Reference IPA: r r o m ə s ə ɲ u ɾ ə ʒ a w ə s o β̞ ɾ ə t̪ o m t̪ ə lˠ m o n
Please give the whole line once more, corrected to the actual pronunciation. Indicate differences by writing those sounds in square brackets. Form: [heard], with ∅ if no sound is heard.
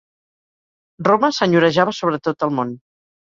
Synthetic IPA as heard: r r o m ə s ə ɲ u ɾ ə ʒ a [β] ə s o β̞ ɾ ə t̪ o [∅] t̪ ə lˠ m o n